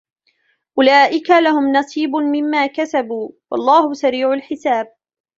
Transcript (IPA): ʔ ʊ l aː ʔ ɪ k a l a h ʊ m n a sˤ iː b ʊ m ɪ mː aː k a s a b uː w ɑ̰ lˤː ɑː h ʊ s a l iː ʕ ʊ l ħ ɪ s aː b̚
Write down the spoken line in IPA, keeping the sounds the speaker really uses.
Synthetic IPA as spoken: ʔ ʊ l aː ʔ ɪ k a l a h ʊ m n ɑ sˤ iː b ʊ m ɪ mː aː k a s a b uː w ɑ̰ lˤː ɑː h ʊ s a ɾ iː ʕ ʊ l ħ ɪ s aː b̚

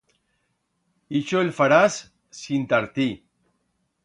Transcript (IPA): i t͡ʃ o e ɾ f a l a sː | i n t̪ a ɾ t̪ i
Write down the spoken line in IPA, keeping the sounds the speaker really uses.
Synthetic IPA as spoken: i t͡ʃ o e l f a ɾ a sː | i n t̪ a ɾ t̪ i

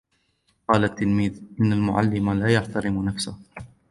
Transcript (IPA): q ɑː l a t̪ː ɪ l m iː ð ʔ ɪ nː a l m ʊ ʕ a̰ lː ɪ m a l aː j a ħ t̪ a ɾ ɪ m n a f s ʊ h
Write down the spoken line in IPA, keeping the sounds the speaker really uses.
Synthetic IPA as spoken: q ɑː l a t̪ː ɪ l m iː ð ʔ ɪ nː a l m ʊ ʕ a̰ lː ɪ m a l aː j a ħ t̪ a ɾ ɪ m n a f s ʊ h

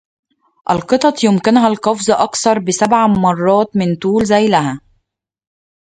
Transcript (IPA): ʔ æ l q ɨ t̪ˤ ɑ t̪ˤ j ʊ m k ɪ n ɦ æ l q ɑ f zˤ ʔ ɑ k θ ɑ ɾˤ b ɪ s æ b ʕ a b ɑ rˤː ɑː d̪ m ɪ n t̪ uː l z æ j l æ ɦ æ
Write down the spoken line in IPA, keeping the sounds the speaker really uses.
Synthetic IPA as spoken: ʔ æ l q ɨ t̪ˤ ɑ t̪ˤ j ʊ m k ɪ n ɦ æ l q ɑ f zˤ ʔ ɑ k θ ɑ ɾˤ b ɪ s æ b ʕ a m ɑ rˤː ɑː t̪ m ɪ n t̪ uː l z æ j l æ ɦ æ

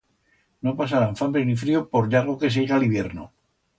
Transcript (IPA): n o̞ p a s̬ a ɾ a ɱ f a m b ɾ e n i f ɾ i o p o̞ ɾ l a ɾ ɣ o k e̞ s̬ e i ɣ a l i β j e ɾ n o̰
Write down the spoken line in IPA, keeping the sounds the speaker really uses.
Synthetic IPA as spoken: n o̞ p a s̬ a ɾ a ɱ f a m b ɾ e n i f ɾ i o p o̞ ɾ ʎ a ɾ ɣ o k e̞ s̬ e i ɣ a l i β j e ɾ n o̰

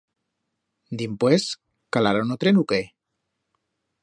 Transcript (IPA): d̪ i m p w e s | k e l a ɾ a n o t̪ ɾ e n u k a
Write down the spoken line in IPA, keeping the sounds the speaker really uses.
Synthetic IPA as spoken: d̪ i m p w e s | k a l a ɾ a n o t̪ ɾ e n u k e

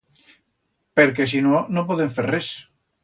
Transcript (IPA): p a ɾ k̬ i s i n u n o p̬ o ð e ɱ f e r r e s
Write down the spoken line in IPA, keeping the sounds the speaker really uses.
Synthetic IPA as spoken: p e ɾ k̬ e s i n o n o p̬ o ð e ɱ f e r r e s

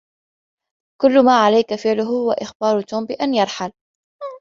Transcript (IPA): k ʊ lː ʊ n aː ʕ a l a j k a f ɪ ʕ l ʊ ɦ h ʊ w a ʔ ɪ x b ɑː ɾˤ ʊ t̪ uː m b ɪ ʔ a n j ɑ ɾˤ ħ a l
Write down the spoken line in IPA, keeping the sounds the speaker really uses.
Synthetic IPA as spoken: k ʊ lː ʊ m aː ʕ a l a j k a f ɪ ʕ l ʊ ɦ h ʊ w a ʔ ɪ x b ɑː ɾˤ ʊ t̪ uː m b ɪ ʔ a n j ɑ ɾˤ ħ a l

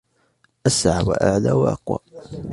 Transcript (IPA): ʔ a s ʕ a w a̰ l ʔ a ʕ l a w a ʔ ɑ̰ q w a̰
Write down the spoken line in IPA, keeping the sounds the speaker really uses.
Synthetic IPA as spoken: ʔ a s ʕ a w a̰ ʔ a ʕ l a w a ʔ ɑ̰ q w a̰

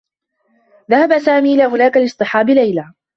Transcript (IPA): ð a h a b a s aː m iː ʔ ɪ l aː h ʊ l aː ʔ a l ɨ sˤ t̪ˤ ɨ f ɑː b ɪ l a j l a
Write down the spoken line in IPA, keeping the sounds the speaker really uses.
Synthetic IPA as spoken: ð a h a b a s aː m iː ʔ ɪ l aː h ʊ l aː k a l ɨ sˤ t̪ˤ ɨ ħ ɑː b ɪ l a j l a

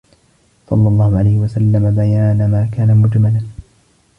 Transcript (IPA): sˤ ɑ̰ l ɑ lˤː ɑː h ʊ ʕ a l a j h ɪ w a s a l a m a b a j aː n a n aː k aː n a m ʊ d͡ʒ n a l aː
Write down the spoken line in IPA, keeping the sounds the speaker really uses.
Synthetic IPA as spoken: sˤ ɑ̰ lː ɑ lˤː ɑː h ʊ ʕ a l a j h ɪ w a s a lː a m a b a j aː n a m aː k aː n a m ʊ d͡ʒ m a l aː

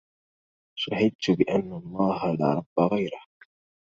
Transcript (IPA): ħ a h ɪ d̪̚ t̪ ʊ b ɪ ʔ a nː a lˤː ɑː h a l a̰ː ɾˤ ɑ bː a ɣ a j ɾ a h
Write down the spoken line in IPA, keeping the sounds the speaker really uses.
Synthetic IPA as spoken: ʃ a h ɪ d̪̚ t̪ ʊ b ɪ ʔ a nː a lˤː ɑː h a l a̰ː ɾˤ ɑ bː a ɣ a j ɾ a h

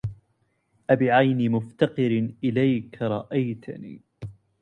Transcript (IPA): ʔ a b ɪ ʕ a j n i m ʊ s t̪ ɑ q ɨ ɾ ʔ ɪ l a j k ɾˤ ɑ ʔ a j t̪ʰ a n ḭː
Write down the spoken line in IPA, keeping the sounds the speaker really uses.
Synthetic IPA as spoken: ʔ a b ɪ ʕ a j n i m ʊ f t̪ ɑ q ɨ ɾ ʔ ɪ l a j k ɾˤ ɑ ʔ a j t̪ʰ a n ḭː

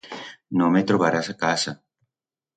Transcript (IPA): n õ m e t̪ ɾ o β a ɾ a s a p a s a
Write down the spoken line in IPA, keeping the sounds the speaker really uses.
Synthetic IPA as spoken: n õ m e t̪ ɾ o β a ɾ a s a k a s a

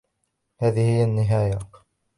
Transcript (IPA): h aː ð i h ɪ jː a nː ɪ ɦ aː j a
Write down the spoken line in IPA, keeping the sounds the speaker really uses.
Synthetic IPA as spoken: h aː ð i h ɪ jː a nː ɪ ɦ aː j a

